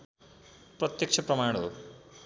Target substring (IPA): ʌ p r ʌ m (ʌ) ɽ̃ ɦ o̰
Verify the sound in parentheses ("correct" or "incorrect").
incorrect